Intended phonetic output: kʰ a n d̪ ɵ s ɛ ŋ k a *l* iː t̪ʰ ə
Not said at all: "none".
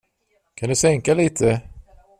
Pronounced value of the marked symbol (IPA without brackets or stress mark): l